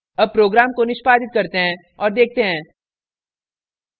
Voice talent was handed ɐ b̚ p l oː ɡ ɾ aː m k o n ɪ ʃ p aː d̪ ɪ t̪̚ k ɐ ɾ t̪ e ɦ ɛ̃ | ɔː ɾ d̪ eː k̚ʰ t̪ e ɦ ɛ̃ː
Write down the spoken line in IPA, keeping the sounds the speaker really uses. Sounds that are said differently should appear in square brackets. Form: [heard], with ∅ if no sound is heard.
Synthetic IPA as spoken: ɐ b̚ p [ɾ] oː ɡ ɾ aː m k o n ɪ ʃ p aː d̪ ɪ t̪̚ k ɐ ɾ t̪ e ɦ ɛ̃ | ɔː ɾ d̪ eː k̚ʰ t̪ e ɦ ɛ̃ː